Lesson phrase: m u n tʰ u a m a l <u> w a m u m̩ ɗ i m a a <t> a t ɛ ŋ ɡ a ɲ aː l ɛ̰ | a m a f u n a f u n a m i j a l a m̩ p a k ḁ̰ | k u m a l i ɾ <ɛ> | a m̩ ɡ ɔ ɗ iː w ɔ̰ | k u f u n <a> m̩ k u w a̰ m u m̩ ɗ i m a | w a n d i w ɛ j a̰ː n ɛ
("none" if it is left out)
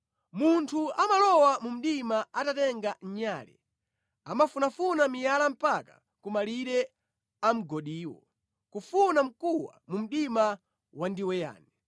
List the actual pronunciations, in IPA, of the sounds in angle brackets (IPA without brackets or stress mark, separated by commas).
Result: ɔ, t, ɛ, a